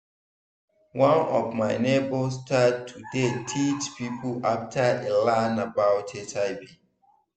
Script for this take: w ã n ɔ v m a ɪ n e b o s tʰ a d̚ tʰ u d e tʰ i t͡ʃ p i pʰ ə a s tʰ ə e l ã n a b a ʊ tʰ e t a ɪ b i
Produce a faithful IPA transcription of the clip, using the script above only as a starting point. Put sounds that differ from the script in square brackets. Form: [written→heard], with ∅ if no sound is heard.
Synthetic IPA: w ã n ɔ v m a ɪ n e b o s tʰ a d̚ tʰ u d e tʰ i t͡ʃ p i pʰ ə a [s→f] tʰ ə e l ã n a b a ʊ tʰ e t a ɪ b i

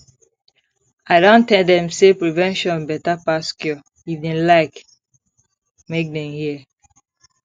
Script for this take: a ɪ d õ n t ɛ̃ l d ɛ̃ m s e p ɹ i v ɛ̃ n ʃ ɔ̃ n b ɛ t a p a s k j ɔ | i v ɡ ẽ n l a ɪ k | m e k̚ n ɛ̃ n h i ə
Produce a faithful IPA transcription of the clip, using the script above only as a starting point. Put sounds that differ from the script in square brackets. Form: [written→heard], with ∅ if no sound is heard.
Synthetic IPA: a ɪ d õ n t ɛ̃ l d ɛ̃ m s e p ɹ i v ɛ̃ n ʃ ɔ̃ n b ɛ t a p a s k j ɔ | i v [ɡ→d] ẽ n l a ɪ k | m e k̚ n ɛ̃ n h i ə

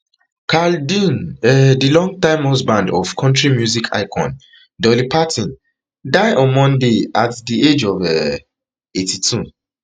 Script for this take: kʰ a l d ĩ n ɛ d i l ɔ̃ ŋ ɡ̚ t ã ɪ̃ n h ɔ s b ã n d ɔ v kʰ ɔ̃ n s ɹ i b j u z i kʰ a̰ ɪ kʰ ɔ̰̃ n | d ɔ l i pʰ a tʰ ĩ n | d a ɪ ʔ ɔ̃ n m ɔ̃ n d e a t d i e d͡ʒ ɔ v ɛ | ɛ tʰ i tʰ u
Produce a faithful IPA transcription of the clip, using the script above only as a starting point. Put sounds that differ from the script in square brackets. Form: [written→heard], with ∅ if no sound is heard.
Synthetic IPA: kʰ a l d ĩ n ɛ d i l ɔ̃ ŋ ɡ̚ t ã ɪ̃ [n→m] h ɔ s b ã n d ɔ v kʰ ɔ̃ n [s→t] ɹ i [b→m] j u z i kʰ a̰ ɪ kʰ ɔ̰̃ n | d ɔ l i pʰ a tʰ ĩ n | d a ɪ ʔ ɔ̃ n m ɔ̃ n d e a t d i e d͡ʒ ɔ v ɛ | [ɛ→e] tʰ i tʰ u

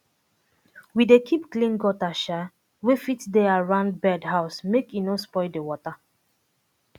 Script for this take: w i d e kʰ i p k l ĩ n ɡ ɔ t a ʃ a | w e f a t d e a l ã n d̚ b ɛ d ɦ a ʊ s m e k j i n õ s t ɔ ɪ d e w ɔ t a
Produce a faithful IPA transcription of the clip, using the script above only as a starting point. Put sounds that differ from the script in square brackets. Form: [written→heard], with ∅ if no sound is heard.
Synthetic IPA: w i d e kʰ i p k l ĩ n ɡ ɔ t a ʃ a | w e f [a→i] t d e a [l→ɹ] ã n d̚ b ɛ d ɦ a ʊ s m e k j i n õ s [t→p] ɔ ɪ d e w ɔ t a

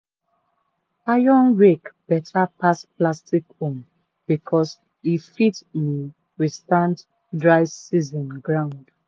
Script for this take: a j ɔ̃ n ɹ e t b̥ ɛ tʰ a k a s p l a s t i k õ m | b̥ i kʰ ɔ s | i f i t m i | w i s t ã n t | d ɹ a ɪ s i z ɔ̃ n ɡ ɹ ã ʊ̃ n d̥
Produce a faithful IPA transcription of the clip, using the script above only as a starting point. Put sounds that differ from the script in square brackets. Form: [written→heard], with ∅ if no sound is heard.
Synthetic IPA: a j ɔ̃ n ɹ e [t→k] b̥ ɛ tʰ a [k→p] a s p l a s t i k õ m | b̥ i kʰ ɔ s | i f i t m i | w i s t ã n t | d ɹ a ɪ s i z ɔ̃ n ɡ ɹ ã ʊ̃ n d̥

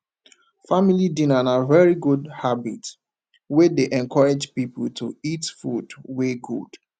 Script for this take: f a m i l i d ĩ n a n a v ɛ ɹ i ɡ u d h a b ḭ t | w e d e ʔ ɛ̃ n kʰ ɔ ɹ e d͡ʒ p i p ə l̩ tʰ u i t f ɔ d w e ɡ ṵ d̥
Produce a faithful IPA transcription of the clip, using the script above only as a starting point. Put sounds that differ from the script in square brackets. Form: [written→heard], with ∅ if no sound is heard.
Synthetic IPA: f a m i l i d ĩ n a n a v ɛ ɹ i ɡ u d h a b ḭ t | w e d e ʔ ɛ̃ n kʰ ɔ ɹ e d͡ʒ p i p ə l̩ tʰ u i t f [ɔ→u] d w e ɡ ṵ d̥

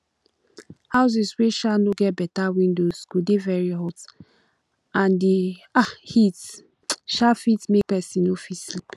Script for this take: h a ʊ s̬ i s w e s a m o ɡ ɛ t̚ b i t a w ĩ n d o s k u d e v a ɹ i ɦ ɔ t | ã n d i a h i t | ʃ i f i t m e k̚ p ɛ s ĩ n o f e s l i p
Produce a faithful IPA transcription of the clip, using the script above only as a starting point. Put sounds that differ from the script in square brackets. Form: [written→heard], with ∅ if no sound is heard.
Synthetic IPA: h a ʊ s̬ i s w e [s→ʃ] a [m→n] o ɡ ɛ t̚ b [i→ɛ] t a w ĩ n d o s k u d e v [a→ɛ] ɹ i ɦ ɔ t | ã n d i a h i t | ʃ [i→a] f i t m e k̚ p ɛ s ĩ n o f [e→i] s l i p

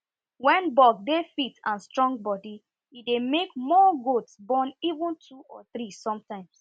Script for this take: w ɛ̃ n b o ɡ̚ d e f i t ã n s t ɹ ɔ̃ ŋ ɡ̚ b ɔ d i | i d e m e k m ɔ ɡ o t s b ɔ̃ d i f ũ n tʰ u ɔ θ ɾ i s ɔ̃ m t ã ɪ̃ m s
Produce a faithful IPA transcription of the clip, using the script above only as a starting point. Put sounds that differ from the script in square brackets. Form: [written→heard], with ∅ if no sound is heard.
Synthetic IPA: w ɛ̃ n b [o→ɔ] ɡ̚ d e f i t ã n s t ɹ ɔ̃ ŋ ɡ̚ b ɔ d i | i d e m e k m ɔ ɡ o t s b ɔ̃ [d→n] i [f→v] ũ n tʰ u ɔ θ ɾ i s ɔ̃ m t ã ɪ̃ m s

